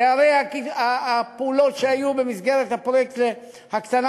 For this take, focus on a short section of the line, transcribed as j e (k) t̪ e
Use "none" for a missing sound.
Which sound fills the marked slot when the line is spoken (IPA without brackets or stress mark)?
k